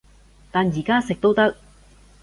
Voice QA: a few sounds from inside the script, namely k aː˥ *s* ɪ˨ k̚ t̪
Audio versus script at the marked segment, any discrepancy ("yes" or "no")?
no